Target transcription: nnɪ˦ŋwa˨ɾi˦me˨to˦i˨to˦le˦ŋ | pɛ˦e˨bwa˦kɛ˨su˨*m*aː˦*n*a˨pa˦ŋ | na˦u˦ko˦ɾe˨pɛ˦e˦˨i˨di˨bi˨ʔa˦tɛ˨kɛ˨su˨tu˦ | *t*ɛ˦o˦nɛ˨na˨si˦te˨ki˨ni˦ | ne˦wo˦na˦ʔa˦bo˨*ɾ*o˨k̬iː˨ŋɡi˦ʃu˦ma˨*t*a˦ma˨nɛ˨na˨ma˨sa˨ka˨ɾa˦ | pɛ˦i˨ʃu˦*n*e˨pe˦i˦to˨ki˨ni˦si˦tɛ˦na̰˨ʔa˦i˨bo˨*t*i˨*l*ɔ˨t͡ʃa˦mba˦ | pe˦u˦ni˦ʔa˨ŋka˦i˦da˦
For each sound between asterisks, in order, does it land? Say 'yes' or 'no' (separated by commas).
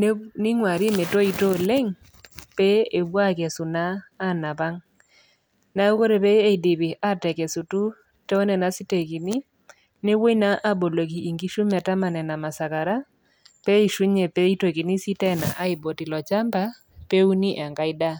no, yes, yes, no, yes, no, yes, yes